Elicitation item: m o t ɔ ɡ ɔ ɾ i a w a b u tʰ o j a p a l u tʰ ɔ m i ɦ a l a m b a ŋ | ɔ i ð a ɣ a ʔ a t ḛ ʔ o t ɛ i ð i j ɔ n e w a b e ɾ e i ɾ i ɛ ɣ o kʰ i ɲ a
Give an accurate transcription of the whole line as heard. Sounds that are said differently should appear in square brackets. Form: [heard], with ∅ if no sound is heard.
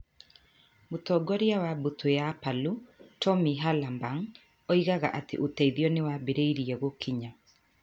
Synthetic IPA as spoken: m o t ɔ ɡ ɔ ɾ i a w a b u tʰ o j a p a l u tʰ ɔ m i ɦ a l a m b a ŋ | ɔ i [ɣ] a ɣ a ʔ a t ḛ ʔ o t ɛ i ð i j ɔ n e w a b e ɾ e i ɾ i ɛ ɣ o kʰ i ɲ a